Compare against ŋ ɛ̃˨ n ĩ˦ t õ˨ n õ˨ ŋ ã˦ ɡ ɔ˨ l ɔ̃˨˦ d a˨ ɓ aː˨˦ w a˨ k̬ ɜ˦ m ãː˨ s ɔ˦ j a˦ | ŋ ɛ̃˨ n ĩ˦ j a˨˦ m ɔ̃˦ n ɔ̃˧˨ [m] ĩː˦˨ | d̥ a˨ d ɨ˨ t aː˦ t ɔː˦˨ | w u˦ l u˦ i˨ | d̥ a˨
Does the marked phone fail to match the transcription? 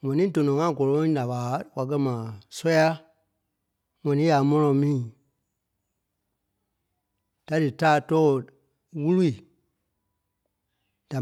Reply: no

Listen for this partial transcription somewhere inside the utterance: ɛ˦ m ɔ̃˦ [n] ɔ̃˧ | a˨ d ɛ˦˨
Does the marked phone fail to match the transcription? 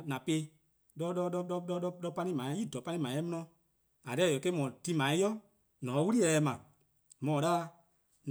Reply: no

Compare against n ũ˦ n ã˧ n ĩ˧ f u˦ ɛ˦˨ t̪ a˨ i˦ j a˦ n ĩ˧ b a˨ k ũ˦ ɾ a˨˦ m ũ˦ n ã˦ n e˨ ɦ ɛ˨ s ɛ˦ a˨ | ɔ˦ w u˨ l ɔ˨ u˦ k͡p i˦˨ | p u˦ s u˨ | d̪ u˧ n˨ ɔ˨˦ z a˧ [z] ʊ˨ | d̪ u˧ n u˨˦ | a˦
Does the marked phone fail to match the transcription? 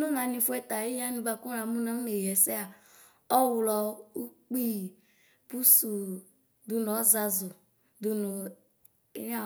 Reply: no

